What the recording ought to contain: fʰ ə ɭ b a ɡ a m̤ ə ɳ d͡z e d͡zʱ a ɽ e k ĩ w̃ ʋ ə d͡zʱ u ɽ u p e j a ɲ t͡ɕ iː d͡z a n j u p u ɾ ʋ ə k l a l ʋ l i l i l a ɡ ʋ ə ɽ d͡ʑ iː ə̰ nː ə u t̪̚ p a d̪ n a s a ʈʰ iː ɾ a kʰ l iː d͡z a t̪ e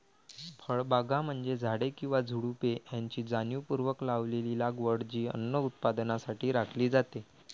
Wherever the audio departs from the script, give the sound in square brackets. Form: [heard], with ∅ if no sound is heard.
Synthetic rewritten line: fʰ ə ɭ b a ɡ a m̤ ə ɳ d͡z e d͡zʱ a ɽ e k ĩ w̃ ʋ [a] d͡zʱ u ɽ u p e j a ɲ t͡ɕ iː d͡z a n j u p u ɾ ʋ ə k l a [∅] ʋ l [e] l i l a ɡ ʋ ə ɽ d͡ʑ iː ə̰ nː ə u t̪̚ p a d̪ n a s a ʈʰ iː ɾ a kʰ l iː d͡z a t̪ e